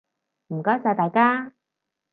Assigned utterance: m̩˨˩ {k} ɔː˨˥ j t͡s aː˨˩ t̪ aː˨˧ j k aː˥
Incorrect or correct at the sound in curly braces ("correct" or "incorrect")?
correct